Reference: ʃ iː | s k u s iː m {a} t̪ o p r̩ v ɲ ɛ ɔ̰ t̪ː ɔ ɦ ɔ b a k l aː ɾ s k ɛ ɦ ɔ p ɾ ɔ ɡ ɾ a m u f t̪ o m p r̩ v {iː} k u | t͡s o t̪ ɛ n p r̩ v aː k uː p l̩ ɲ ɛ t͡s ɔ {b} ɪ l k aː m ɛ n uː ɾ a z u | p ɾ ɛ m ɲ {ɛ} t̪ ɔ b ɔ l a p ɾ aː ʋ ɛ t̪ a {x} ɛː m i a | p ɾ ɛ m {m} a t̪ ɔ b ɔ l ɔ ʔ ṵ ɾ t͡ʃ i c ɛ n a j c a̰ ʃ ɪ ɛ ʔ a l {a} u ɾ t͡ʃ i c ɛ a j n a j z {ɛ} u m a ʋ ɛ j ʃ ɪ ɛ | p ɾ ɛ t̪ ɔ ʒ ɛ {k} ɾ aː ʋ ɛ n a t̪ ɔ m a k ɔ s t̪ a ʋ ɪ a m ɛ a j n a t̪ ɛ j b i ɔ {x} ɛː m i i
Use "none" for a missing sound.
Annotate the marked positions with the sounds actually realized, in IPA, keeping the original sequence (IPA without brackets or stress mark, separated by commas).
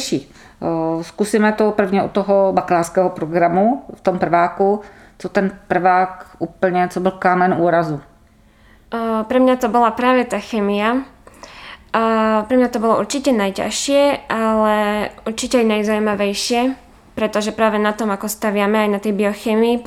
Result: ɛ, aː, b, a, x, ɲ, ɛ, a, p, x